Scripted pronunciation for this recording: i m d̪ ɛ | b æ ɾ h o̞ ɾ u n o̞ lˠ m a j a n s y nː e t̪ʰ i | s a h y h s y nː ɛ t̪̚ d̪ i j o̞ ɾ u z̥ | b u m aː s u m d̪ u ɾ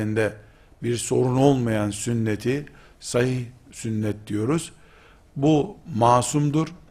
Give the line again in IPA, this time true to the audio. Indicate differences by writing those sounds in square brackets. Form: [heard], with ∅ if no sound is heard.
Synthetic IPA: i [n] d̪ ɛ | b [i] ɾ [s] o̞ ɾ u n o̞ lˠ m a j a n s y nː e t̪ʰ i | s a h [i] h s y nː ɛ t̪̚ d̪ i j o̞ ɾ u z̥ | b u m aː s u m d̪ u ɾ